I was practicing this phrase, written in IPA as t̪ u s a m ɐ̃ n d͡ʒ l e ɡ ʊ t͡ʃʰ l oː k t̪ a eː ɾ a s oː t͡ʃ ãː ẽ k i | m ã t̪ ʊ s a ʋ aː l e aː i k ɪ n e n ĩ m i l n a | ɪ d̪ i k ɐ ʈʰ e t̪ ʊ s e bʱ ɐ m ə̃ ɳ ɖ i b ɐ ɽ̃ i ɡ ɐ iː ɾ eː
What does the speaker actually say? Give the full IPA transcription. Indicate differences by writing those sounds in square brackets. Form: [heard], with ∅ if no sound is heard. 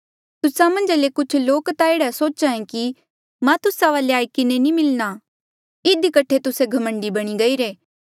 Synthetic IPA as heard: t̪ [ʊ] s a m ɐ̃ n d͡ʒ l e [k] ʊ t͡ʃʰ l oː k t̪ a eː [ɽ] a s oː t͡ʃ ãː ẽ k i | m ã t̪ ʊ s a ʋ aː l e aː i k ɪ n e n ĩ m [ɪ] l n a | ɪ d̪ i k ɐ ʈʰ e t̪ ʊ s e [ɡʱ] ɐ m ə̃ ɳ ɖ i b ɐ ɽ̃ i ɡ ɐ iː ɾ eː